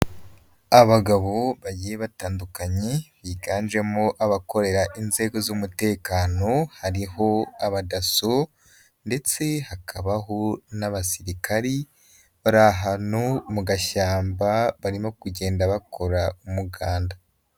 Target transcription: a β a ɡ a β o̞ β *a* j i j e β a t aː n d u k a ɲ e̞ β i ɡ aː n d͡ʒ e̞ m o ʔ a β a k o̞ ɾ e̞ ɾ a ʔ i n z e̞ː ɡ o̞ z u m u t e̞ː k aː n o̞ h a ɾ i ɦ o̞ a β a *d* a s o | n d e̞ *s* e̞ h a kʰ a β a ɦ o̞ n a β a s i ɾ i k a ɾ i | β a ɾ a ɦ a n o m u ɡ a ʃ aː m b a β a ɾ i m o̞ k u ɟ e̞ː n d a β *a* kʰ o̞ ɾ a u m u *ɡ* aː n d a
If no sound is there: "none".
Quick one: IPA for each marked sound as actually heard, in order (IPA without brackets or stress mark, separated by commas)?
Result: a, d, t͡s, a, ɡ